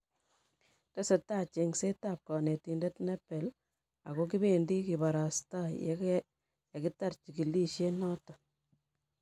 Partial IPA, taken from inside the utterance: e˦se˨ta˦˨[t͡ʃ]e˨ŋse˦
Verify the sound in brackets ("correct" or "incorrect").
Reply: correct